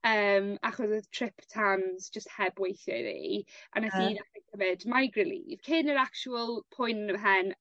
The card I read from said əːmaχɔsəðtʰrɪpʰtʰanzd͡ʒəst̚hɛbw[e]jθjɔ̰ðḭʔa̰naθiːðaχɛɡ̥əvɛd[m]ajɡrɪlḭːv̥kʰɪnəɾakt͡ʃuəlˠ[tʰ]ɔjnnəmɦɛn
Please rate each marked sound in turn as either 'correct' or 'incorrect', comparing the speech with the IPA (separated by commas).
correct, correct, incorrect